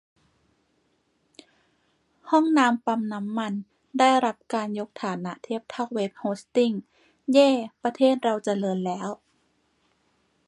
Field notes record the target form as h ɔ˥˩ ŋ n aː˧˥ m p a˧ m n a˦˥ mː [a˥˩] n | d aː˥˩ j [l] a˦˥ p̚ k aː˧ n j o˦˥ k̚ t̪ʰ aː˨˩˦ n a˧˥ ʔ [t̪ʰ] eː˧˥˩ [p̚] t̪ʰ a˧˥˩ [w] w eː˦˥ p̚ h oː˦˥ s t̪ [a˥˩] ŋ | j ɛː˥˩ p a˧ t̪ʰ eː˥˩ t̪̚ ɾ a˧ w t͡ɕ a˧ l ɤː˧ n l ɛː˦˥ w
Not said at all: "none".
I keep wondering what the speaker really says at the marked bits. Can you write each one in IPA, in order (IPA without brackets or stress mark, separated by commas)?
a˧, ɾ, t̪ʰ, p̚, w, i˥˩